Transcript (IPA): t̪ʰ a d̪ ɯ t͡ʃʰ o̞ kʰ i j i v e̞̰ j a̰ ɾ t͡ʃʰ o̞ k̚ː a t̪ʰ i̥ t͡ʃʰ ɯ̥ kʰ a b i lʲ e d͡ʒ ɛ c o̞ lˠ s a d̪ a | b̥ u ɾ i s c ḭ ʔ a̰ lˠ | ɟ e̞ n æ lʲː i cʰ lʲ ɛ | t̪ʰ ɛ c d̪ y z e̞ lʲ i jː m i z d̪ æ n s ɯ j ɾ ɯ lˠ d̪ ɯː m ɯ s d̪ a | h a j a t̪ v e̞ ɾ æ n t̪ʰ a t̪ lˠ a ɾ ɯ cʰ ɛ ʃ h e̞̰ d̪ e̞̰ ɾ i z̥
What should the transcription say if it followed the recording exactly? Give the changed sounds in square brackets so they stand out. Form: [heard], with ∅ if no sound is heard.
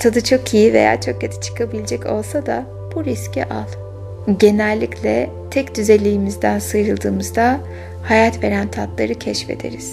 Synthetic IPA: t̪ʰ a d̪ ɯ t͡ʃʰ o̞ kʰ i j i v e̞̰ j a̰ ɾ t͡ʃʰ o̞ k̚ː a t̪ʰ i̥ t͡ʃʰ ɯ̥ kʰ a b i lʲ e d͡ʒ ɛ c o̞ lˠ s a d̪ a | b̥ u ɾ i s c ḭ ʔ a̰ lˠ | ɟ e̞ n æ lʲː i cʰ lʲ ɛ | t̪ʰ ɛ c d̪ y z e̞ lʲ i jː m i z d̪ æ n s ɯ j ɾ ɯ lˠ d̪ ɯː m ɯ [z] d̪ a | h a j a t̪ v e̞ ɾ æ n t̪ʰ a t̪ lˠ a ɾ ɯ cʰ ɛ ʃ [f] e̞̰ d̪ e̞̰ ɾ i z̥